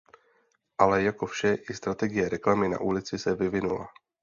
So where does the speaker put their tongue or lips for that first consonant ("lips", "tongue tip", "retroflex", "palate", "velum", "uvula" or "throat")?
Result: throat